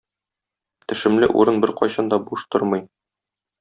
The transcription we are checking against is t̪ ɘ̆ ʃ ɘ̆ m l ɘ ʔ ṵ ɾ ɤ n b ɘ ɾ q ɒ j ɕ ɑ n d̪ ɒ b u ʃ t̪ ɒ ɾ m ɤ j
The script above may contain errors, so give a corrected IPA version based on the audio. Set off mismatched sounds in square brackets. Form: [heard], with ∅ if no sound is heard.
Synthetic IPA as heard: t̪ ɘ̆ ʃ ɘ̆ m l ɘ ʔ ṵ ɾ ɤ n b ɘ ɾ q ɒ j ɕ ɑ n d̪ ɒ b u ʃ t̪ [o] ɾ m ɤ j